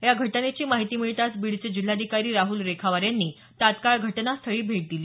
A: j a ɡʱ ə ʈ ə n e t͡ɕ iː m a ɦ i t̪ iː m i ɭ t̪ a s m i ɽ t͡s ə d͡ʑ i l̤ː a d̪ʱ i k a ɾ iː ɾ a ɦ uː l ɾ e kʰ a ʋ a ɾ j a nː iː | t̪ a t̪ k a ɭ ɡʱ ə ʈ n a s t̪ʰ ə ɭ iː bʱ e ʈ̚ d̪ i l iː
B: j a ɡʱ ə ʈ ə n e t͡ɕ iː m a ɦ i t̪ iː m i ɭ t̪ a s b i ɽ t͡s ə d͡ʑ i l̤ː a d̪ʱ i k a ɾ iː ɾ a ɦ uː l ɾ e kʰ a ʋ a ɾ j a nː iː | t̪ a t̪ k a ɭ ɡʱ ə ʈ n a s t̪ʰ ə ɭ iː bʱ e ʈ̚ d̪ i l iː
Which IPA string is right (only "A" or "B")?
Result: B